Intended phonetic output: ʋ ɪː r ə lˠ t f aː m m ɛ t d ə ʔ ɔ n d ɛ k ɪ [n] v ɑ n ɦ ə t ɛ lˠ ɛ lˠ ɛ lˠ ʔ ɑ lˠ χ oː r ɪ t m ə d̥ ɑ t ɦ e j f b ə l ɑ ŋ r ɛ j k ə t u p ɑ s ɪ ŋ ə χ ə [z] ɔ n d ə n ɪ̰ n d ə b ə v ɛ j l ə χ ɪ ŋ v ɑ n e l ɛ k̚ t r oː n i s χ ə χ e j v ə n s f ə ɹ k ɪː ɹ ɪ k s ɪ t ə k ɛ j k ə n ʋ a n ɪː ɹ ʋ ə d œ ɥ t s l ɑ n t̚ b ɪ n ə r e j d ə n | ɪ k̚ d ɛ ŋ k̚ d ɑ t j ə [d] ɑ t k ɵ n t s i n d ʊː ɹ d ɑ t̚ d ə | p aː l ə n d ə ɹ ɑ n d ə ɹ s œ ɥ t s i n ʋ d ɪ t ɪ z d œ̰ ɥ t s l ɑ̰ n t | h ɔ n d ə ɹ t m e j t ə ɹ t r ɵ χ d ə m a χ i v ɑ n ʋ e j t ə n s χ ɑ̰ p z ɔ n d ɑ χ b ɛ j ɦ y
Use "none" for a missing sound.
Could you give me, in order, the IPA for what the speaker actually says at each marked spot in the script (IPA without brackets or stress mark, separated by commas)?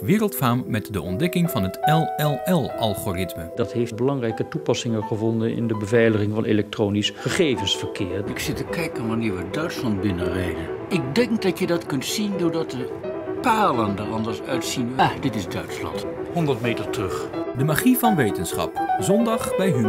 ŋ, v, d